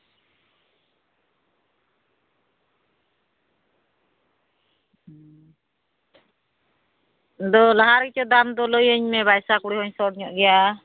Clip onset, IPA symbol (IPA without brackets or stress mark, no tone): d̪